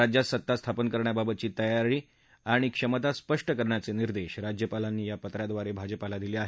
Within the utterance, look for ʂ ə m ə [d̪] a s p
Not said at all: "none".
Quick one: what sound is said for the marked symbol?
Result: t̪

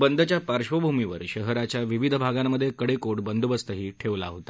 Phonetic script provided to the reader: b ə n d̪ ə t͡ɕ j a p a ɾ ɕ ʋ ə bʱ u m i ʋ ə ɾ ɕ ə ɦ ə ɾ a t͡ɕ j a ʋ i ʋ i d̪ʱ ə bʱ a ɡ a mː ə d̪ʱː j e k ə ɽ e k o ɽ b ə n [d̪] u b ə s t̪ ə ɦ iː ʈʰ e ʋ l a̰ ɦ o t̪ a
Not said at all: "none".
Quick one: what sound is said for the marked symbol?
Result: d̪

